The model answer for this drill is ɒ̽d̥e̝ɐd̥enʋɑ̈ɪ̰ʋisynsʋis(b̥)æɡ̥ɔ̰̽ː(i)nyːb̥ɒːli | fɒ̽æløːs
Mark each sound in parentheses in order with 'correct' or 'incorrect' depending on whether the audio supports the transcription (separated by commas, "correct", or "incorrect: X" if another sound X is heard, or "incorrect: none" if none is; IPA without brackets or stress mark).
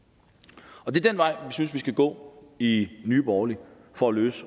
incorrect: ɡ̥, correct